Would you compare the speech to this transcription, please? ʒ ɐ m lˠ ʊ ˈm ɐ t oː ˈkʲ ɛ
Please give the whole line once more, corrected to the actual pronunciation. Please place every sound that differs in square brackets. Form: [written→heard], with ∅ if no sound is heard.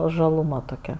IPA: ʒ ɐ [m→∅] lˠ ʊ ˈm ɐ t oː ˈkʲ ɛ